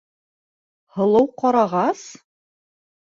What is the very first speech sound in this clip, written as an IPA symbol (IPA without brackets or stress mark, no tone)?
h